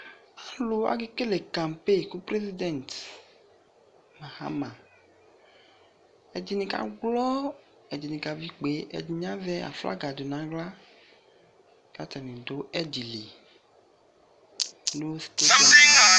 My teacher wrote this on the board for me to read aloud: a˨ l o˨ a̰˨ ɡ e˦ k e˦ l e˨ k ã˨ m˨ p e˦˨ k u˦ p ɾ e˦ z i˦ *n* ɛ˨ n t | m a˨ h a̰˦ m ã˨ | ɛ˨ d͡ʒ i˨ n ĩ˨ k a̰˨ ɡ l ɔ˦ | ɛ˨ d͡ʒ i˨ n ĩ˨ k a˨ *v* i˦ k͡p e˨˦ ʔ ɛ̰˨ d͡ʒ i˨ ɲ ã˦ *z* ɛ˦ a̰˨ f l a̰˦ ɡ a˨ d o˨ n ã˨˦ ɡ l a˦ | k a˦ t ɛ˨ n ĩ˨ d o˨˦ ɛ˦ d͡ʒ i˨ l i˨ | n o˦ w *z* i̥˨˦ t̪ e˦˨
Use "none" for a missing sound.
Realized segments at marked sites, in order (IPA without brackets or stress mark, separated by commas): d, v, v, s